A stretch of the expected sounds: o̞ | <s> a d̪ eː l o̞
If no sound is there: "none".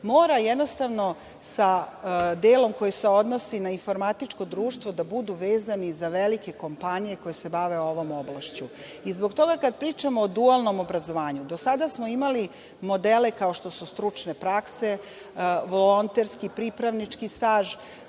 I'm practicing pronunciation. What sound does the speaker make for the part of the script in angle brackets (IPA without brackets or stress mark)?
s